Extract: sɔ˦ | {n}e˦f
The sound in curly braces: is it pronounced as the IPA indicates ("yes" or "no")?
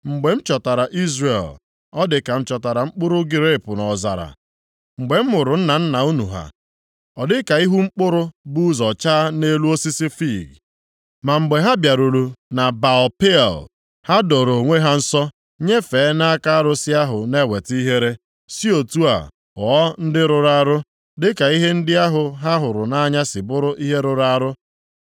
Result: no